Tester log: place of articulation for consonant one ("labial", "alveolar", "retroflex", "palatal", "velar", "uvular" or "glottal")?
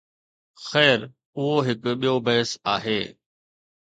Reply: velar